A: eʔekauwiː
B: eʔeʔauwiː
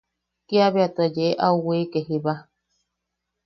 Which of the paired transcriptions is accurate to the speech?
B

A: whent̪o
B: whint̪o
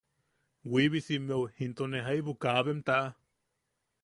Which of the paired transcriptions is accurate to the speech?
B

